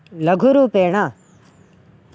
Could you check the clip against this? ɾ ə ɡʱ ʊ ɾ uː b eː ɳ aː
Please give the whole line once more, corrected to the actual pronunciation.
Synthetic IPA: l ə ɡʱ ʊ ɾ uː p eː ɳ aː